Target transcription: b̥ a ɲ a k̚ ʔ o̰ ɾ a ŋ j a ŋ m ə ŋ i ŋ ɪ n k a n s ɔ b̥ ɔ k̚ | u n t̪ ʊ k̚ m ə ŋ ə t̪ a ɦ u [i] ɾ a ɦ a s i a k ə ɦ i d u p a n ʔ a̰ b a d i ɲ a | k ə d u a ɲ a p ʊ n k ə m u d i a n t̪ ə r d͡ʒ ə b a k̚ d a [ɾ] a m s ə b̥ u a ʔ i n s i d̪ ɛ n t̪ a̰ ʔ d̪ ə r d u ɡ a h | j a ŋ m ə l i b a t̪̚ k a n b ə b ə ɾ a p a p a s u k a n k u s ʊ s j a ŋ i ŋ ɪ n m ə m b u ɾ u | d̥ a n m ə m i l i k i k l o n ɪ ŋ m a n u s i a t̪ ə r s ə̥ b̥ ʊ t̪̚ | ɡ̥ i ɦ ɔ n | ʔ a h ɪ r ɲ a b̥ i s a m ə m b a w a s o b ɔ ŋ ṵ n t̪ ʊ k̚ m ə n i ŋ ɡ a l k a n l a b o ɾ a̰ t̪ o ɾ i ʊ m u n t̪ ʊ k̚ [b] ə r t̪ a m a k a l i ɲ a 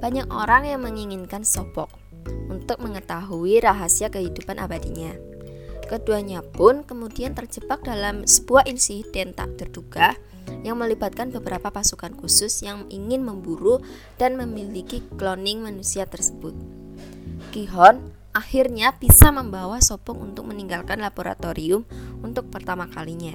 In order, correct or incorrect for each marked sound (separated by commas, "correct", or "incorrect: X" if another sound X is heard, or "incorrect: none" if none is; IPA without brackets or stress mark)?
correct, incorrect: l, incorrect: p